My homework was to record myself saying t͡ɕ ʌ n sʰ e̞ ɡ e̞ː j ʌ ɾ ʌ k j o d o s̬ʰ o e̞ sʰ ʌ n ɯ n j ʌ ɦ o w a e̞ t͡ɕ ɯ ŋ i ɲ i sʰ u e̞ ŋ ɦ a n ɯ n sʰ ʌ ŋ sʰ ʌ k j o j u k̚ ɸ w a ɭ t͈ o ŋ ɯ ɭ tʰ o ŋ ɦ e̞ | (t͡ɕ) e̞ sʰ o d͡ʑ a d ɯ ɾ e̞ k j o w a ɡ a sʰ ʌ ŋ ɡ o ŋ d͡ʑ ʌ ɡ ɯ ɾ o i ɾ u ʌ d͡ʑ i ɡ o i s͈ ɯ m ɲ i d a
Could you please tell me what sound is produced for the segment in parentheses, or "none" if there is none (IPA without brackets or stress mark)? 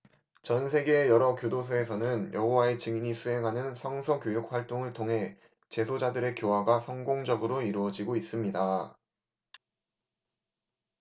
t͡ɕ